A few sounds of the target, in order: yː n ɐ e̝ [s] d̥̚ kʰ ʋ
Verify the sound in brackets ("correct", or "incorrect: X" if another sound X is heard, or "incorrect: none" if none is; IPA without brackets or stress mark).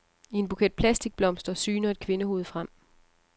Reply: incorrect: none